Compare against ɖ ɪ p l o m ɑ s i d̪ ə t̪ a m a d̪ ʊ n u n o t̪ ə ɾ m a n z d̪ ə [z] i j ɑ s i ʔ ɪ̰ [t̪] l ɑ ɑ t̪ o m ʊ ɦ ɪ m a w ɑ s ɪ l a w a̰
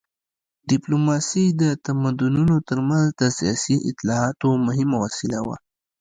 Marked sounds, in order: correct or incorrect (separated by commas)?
incorrect, correct